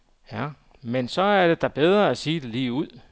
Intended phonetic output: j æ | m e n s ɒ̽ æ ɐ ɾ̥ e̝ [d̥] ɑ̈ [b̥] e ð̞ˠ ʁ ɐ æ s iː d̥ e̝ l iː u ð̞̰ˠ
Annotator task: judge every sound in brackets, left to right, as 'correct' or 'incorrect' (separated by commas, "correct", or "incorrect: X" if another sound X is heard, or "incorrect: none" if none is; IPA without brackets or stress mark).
correct, correct